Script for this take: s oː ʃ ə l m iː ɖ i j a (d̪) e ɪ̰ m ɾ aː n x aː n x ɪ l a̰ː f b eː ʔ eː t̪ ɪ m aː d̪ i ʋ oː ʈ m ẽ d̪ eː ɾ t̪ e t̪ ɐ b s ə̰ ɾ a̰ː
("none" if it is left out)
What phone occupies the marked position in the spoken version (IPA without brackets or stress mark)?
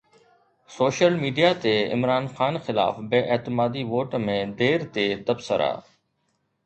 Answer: t̪